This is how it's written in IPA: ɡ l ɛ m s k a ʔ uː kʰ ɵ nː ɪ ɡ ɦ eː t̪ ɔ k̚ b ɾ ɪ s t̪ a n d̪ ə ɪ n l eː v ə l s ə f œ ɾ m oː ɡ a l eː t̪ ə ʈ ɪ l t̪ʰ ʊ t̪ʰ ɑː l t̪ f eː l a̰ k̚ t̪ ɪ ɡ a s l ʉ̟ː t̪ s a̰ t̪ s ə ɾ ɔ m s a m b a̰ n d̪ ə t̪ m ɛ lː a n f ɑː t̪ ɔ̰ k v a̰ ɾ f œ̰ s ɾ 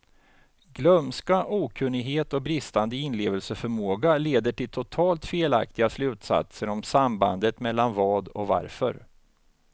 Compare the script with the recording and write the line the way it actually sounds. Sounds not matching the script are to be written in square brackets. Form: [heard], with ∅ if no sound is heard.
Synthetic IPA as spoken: ɡ l [œ] m s k a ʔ uː kʰ ɵ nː ɪ ɡ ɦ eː t̪ ɔ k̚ b ɾ ɪ s t̪ a n d̪ ə ɪ n l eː v ə l s ə f œ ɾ m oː ɡ a l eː [d̪] ə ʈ ɪ l t̪ʰ ʊ t̪ʰ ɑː l t̪ f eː l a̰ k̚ t̪ ɪ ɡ a s l ʉ̟ː t̪ s a̰ t̪ s ə ɾ ɔ m s a m b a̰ n d̪ ə t̪ m ɛ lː a n [v] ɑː [d̪] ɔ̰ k v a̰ ɾ f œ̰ [∅] ɾ